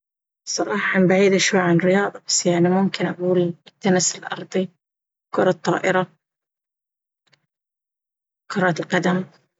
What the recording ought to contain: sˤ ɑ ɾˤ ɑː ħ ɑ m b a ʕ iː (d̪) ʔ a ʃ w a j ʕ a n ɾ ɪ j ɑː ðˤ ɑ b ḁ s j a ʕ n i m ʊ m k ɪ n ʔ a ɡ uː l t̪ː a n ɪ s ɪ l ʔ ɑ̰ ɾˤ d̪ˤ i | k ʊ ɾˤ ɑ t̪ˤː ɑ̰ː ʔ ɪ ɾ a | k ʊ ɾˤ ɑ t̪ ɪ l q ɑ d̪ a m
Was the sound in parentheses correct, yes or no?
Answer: yes